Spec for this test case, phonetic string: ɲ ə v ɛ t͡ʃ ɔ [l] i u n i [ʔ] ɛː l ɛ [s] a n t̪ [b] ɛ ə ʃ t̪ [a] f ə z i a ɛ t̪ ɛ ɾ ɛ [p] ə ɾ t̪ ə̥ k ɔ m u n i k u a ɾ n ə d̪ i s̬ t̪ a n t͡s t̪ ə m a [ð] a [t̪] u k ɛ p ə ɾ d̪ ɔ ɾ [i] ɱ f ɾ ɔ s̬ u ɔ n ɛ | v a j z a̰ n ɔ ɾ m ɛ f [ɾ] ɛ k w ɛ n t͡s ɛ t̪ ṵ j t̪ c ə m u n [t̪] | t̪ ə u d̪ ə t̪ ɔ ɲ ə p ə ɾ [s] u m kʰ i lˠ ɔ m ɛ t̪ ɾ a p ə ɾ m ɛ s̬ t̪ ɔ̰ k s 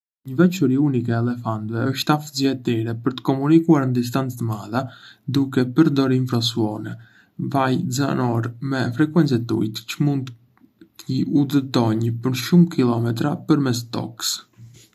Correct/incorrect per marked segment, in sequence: incorrect, incorrect, incorrect, incorrect, correct, correct, correct, incorrect, correct, correct, incorrect, incorrect

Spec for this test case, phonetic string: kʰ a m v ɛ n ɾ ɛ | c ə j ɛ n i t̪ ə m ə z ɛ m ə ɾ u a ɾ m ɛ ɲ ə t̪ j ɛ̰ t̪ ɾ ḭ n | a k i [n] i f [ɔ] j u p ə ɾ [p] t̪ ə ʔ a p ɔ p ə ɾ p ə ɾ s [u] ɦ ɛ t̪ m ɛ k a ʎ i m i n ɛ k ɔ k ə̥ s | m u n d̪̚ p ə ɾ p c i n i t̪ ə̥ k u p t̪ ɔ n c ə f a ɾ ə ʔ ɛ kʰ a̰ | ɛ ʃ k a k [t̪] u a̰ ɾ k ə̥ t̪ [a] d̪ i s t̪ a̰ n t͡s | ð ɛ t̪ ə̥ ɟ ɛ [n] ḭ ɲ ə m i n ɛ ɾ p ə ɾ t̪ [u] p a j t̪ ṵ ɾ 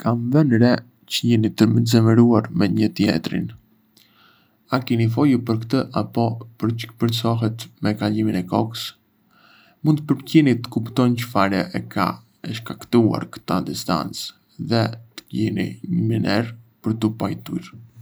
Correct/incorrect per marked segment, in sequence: correct, correct, incorrect, incorrect, correct, correct, correct, correct

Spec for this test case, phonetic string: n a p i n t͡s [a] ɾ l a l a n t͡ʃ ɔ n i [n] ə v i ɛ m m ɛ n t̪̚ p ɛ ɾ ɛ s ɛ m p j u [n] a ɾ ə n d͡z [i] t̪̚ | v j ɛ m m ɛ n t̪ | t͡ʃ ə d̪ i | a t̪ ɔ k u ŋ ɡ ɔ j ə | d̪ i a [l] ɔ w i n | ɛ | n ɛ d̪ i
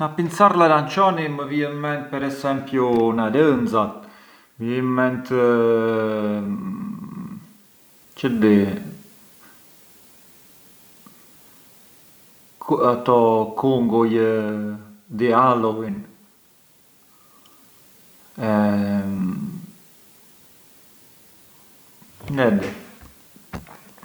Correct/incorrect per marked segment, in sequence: correct, incorrect, correct, incorrect, correct

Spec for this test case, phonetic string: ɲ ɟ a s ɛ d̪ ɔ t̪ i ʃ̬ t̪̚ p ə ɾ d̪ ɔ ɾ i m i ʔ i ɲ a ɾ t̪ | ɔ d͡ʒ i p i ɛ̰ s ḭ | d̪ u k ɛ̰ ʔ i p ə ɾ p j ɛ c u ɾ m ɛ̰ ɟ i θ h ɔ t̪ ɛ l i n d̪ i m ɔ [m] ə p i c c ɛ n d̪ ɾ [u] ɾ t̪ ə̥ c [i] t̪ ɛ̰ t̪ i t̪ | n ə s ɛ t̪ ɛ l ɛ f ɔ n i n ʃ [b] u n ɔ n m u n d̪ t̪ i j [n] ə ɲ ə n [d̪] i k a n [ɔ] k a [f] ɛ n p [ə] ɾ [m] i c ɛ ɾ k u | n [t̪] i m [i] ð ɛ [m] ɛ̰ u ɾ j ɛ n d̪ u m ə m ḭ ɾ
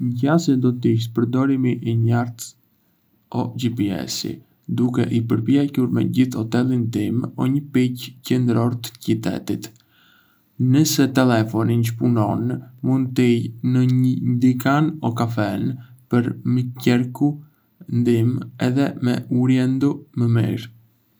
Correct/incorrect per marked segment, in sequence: incorrect, incorrect, correct, incorrect, correct, correct, correct, correct, correct, correct, incorrect, incorrect, correct

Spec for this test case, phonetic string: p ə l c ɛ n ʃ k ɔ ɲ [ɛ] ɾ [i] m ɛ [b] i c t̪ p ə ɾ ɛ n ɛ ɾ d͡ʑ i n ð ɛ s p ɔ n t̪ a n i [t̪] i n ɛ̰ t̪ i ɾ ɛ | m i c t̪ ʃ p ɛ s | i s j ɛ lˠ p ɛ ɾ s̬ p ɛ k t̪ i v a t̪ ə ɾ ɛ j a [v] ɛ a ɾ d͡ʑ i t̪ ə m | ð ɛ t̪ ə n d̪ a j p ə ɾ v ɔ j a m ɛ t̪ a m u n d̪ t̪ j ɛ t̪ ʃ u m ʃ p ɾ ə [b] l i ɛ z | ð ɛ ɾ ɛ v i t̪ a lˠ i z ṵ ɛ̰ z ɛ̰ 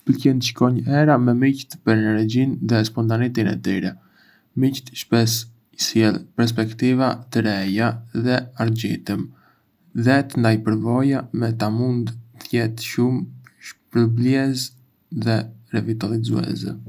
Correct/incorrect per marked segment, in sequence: correct, incorrect, incorrect, correct, incorrect, correct

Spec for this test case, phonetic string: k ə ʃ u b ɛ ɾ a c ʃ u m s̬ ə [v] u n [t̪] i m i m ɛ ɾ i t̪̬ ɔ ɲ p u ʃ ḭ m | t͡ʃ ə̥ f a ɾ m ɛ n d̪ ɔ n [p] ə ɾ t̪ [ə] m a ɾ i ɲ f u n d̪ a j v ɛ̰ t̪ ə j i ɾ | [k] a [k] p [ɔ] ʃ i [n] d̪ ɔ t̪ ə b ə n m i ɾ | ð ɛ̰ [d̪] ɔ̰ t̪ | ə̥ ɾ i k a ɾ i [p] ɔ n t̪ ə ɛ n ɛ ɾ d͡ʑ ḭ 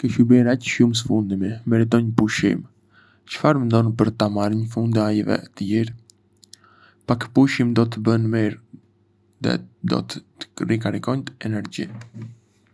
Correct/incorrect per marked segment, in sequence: incorrect, incorrect, correct, incorrect, incorrect, correct, incorrect, incorrect, correct, incorrect

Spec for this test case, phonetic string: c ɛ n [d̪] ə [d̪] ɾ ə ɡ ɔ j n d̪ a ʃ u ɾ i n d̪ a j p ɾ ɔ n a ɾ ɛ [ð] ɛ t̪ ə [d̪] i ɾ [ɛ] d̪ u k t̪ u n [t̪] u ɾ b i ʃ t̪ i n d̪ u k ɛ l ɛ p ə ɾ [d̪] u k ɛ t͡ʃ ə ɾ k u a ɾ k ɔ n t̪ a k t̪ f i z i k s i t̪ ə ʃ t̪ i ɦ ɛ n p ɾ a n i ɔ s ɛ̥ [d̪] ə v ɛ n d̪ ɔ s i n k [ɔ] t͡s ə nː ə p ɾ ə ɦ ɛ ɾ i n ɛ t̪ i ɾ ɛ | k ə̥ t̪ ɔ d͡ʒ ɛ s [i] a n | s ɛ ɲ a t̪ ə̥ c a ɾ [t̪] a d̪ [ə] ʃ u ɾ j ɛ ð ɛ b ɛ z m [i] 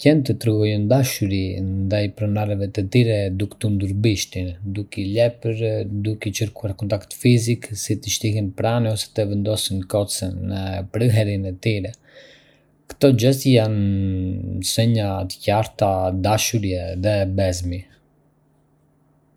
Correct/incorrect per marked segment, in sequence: incorrect, incorrect, incorrect, incorrect, correct, incorrect, correct, incorrect, correct, incorrect, correct, incorrect, correct

